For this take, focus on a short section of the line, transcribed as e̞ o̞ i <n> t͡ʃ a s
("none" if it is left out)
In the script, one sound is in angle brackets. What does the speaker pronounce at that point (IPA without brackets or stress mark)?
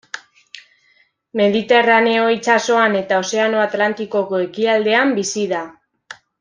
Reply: none